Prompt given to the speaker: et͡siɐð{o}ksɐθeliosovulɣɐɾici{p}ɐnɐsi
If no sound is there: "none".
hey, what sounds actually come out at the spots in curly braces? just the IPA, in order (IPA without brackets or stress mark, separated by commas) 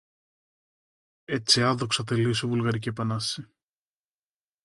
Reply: o, p